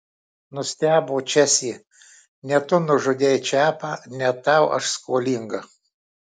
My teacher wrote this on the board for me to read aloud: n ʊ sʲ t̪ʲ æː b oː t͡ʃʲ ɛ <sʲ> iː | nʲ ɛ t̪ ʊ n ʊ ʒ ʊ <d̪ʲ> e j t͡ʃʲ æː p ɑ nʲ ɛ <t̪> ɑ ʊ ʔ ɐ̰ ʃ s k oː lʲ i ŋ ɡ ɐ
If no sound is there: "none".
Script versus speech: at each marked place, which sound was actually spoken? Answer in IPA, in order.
sʲ, d̪ʲ, t̪

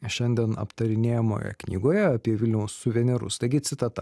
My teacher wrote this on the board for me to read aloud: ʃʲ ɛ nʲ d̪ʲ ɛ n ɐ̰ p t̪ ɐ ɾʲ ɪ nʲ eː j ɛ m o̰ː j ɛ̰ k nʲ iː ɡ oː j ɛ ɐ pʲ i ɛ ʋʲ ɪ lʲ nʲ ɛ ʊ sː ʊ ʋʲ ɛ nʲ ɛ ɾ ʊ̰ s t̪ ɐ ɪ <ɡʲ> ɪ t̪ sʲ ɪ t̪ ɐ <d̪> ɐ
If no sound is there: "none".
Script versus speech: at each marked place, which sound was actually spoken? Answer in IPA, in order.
ɡʲ, t̪

